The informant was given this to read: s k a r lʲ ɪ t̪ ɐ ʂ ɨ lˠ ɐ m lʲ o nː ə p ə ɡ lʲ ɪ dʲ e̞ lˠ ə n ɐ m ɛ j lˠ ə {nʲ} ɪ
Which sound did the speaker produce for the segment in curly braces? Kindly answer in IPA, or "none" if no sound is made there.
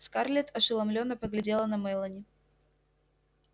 nʲ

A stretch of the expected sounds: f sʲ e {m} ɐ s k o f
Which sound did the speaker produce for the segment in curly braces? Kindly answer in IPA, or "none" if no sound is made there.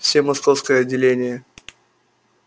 m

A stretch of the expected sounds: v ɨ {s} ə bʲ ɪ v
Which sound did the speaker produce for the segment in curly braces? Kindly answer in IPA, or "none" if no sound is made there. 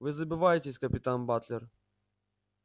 z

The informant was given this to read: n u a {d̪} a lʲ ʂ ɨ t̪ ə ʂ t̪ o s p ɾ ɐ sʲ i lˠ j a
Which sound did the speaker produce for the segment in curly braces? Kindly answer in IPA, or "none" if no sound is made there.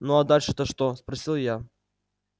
d̪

